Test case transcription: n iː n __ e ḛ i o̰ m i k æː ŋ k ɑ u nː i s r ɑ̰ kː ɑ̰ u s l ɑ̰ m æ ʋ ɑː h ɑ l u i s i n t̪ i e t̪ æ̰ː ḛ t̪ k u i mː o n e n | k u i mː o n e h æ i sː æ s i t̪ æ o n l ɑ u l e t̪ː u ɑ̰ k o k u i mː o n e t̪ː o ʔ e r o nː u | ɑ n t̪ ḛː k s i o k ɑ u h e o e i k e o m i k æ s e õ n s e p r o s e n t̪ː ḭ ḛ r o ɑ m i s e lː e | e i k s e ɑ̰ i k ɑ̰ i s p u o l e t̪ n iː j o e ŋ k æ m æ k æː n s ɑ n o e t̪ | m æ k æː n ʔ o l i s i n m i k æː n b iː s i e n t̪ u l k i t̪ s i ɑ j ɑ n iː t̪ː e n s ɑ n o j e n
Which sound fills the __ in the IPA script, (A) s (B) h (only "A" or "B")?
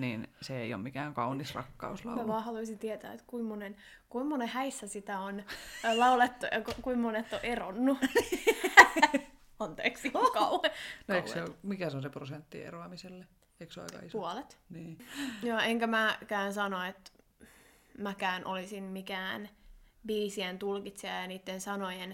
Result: A